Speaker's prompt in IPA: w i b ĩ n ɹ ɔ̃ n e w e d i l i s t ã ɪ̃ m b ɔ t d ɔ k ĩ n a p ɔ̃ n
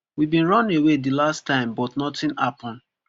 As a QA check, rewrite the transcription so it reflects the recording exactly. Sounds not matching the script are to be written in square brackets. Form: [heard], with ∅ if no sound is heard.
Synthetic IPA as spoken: w i b ĩ n ɹ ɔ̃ n e w e d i l [a] s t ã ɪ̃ m b ɔ t [n] ɔ [t] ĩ n a p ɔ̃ n